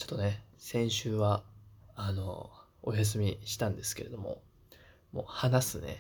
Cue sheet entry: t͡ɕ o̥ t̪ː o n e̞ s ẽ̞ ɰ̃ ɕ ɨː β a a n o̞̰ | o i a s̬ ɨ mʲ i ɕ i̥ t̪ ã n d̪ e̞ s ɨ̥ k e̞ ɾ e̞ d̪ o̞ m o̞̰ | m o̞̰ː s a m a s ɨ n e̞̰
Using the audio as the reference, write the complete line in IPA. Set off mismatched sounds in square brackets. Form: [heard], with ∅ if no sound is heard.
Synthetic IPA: t͡ɕ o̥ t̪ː o n e̞ s ẽ̞ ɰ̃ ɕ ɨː β a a n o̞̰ | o [j] a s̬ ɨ mʲ i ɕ i̥ t̪ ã n d̪ e̞ s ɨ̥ k e̞ ɾ e̞ d̪ o̞ m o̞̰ | m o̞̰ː [h] a [n] a s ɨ n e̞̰